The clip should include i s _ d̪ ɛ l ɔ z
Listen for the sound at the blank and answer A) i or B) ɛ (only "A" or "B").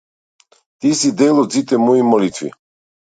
A